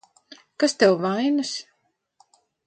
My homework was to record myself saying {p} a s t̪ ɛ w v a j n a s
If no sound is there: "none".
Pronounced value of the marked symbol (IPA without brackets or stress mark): k